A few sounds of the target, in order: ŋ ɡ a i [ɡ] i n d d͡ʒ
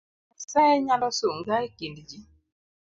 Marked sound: incorrect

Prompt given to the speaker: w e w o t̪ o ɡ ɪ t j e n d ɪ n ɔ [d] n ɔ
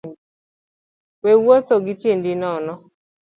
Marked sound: incorrect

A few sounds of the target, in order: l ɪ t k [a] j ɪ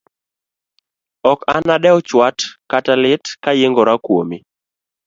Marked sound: correct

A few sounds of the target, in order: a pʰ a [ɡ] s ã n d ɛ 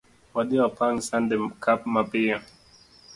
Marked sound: incorrect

